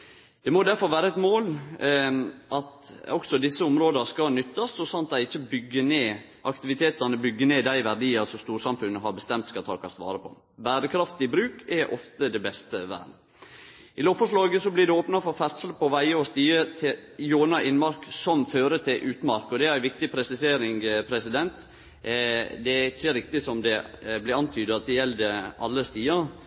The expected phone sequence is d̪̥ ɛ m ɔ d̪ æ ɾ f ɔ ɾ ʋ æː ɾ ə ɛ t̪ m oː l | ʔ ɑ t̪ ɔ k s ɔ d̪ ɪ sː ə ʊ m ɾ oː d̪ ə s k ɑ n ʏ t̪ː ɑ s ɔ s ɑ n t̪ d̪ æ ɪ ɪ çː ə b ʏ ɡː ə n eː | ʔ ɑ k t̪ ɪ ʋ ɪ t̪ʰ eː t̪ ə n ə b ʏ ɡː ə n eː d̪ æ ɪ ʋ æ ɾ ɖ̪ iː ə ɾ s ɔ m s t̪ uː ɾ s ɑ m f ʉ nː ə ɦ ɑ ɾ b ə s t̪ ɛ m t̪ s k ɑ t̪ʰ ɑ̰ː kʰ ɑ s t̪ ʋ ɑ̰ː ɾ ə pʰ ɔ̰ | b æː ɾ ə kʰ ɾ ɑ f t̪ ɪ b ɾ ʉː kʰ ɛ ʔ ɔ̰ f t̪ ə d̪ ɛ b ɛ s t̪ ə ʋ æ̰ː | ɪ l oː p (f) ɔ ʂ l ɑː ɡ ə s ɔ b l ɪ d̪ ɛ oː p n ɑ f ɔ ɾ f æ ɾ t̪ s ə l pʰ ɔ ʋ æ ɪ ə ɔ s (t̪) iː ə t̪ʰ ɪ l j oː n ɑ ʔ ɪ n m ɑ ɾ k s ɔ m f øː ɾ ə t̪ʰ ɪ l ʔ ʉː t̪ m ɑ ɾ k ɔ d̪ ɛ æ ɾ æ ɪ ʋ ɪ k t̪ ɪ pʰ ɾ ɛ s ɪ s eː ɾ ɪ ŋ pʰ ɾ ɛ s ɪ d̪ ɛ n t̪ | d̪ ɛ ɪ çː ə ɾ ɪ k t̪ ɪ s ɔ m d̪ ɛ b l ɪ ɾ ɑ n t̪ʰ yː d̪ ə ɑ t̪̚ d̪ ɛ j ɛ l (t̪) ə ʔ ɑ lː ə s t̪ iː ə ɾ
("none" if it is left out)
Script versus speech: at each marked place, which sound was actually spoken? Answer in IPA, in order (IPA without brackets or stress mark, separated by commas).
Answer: f, t̪, d̪